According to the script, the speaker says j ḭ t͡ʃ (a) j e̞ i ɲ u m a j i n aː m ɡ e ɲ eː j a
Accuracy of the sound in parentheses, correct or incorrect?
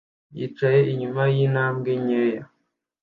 correct